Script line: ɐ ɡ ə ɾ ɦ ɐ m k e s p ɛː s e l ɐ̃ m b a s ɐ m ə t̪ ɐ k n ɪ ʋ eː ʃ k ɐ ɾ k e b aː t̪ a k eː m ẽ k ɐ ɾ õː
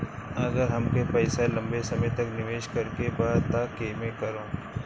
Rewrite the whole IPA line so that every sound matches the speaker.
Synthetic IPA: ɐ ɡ ə ɾ ɦ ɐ m k e p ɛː s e l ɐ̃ m b e s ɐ m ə t̪ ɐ k n ɪ ʋ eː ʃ k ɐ ɾ k e b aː t̪ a k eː m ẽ k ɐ ɾ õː